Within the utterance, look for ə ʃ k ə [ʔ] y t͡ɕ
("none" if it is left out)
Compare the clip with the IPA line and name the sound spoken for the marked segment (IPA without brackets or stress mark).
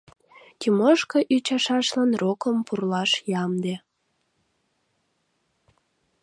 ʔ